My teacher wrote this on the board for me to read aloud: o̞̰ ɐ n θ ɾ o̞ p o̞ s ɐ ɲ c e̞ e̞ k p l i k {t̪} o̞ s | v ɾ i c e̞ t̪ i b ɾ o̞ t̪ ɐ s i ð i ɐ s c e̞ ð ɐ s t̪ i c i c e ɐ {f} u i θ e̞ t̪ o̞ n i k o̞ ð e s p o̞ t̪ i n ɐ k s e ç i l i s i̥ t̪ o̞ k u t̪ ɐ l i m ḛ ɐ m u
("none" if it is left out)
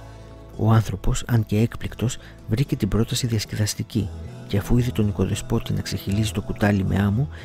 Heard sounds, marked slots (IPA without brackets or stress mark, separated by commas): t̪, f